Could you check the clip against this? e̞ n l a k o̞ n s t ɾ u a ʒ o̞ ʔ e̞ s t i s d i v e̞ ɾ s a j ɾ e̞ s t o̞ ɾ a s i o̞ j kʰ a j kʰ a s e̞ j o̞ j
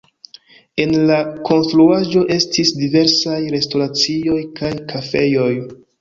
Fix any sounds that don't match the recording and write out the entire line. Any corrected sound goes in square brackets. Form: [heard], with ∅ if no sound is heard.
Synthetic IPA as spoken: e̞ n l a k o̞ n s t ɾ u a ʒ o̞ ʔ e̞ s t i s d i v e̞ ɾ s a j ɾ e̞ s t o̞ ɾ a [t͡s] i o̞ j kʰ a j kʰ a [f] e̞ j o̞ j